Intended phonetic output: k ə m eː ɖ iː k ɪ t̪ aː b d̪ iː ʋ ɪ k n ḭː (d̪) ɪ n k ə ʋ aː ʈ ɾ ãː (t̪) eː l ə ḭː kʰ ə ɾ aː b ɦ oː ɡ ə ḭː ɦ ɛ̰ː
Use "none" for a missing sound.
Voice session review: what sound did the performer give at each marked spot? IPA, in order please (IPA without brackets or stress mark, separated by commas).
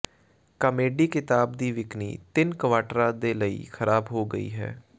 t̪, d̪